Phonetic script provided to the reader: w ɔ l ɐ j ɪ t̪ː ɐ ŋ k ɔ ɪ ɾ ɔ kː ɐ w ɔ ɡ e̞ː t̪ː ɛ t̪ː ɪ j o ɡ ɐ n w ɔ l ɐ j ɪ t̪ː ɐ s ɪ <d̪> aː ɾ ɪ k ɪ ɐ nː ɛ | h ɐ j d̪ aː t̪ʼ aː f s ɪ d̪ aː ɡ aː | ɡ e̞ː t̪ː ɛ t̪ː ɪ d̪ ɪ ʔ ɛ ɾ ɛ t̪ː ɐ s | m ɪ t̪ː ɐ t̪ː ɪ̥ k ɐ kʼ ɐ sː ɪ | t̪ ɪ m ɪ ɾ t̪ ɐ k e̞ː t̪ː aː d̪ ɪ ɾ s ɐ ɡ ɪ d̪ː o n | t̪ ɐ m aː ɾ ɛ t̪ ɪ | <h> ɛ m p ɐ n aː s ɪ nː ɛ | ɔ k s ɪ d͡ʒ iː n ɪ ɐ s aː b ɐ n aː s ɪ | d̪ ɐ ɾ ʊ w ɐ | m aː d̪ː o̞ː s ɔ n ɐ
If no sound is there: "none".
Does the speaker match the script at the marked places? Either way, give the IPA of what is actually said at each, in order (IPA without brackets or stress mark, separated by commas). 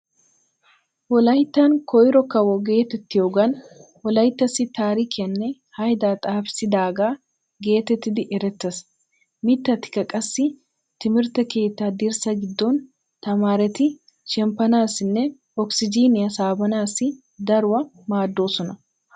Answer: t̪, ʃ